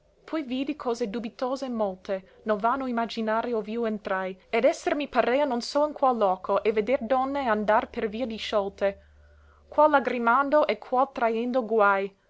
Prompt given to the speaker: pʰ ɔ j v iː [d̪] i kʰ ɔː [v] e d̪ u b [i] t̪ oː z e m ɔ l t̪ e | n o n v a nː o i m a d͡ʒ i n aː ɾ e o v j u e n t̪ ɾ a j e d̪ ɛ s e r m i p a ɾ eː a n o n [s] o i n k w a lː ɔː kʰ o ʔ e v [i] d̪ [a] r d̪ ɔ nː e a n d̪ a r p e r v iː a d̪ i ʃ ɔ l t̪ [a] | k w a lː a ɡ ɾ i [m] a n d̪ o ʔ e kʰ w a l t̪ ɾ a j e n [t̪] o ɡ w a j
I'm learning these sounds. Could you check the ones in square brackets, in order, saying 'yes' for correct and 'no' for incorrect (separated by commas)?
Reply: yes, no, yes, yes, no, no, no, yes, no